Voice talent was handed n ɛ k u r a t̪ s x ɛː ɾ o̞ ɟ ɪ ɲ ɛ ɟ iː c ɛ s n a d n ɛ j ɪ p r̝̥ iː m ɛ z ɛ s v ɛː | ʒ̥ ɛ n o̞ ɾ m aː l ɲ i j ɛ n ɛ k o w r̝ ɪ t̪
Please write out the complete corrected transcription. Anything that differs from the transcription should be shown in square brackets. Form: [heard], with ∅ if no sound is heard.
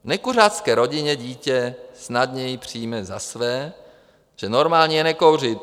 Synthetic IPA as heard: n ɛ k u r a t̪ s [k] ɛː ɾ o̞ ɟ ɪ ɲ ɛ ɟ iː c ɛ s n a d [ɲ] ɛ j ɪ p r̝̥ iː m ɛ z [a] s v ɛː | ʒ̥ ɛ n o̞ ɾ m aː l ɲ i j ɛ n ɛ k o w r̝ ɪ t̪